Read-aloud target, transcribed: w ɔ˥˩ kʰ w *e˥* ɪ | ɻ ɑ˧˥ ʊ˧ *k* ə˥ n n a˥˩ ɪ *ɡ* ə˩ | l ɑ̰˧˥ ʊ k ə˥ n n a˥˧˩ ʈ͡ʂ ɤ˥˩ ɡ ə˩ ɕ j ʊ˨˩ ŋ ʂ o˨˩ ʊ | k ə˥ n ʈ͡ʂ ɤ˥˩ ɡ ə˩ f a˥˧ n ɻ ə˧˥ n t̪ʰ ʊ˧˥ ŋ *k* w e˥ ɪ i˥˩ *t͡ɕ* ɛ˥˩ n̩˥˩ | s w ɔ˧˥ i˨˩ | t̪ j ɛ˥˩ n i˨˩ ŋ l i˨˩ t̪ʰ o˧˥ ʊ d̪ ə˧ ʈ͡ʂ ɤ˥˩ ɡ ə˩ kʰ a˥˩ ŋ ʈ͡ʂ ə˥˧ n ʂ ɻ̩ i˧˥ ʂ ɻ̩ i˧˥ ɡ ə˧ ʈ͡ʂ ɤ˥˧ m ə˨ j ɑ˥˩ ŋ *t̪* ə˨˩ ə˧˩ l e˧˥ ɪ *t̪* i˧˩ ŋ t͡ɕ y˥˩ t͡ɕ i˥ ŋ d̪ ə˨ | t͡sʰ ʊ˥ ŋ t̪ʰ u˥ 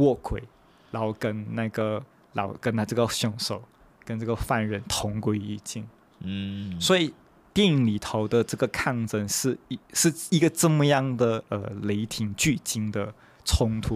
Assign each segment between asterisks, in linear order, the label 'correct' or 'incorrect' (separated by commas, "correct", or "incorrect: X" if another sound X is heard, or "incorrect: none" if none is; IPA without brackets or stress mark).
incorrect: e˨˩, correct, correct, correct, correct, incorrect: d̪, incorrect: t̪ʰ